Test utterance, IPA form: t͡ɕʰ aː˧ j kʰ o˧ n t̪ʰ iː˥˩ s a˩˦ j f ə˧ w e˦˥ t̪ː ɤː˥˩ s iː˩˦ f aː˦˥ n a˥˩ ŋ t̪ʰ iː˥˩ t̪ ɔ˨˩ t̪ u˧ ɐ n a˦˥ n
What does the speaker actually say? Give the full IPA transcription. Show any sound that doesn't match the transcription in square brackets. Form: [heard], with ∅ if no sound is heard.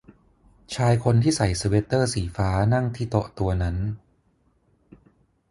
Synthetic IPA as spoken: t͡ɕʰ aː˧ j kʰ o˧ n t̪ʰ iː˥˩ s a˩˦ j [s] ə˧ w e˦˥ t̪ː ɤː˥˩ s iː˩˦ f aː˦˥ n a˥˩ ŋ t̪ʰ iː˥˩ t̪ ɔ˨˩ t̪ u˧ ɐ n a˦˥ n